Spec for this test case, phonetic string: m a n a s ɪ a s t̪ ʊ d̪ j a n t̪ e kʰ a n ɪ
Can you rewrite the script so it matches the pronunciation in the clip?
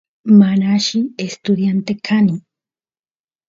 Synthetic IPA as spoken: m a n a ʃ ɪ e s t̪ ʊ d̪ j a n t̪ e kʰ a n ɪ